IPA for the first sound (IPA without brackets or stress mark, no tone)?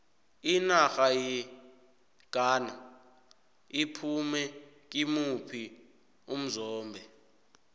i